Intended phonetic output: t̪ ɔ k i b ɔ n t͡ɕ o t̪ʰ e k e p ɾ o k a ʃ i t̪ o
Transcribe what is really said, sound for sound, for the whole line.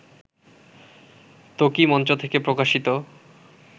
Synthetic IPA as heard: t̪ o k i m ɔ n t͡ɕ o t̪ʰ e k e p ɾ o k a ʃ i t̪ o